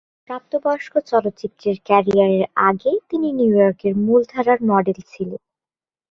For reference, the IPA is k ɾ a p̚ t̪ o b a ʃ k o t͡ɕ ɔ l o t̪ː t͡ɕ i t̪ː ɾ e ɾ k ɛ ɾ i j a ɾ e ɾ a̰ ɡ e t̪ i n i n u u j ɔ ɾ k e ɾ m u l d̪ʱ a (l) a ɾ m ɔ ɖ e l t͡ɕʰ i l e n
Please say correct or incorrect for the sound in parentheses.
incorrect: ɾ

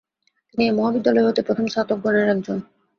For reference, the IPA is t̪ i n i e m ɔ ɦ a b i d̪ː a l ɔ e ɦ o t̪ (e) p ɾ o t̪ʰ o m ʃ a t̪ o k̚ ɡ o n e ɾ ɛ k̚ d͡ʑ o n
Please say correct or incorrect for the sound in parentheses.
correct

